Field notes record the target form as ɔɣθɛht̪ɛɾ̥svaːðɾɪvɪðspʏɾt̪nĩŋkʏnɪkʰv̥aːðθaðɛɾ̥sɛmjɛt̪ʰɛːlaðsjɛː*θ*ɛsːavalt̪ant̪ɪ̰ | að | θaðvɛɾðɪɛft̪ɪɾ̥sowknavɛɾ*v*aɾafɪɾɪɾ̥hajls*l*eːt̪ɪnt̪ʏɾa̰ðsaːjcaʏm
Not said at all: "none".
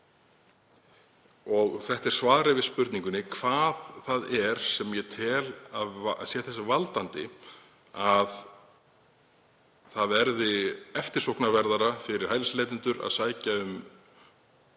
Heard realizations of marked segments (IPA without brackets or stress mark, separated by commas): θ, ð, l